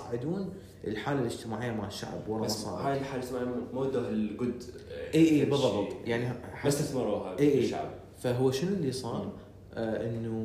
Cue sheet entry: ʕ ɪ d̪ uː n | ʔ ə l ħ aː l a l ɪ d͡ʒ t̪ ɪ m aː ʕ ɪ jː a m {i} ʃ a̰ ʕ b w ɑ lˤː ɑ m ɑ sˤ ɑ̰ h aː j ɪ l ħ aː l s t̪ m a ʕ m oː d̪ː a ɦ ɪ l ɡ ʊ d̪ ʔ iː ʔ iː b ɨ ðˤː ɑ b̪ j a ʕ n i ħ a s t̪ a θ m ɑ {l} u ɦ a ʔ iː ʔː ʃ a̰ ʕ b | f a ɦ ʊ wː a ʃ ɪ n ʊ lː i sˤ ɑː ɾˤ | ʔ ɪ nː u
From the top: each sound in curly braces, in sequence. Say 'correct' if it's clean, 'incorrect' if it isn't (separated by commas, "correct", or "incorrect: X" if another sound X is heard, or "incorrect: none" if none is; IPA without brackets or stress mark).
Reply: incorrect: a, incorrect: ɾ